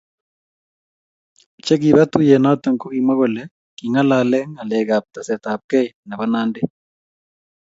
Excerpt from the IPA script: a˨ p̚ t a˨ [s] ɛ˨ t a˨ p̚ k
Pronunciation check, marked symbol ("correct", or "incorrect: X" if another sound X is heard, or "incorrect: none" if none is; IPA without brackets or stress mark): correct